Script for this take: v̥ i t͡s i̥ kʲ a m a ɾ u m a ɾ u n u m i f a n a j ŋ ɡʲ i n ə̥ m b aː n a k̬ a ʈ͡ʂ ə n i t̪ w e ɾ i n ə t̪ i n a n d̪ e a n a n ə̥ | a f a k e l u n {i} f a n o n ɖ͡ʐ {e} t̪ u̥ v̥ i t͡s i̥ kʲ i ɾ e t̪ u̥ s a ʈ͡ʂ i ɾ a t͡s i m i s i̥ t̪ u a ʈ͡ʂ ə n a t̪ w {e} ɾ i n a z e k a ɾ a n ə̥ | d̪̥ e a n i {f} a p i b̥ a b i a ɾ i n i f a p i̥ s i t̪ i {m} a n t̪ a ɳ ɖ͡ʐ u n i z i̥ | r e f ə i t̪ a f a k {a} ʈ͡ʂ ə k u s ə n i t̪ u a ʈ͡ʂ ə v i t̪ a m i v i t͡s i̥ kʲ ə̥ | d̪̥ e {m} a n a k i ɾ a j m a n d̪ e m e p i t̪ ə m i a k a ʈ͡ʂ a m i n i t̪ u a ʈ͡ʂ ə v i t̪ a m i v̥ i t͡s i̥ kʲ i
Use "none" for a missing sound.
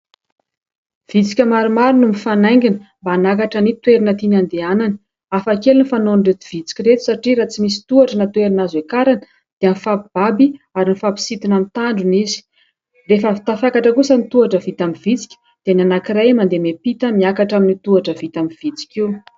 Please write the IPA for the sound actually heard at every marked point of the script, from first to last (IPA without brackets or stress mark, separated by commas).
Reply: i, e, e, f, n, a, n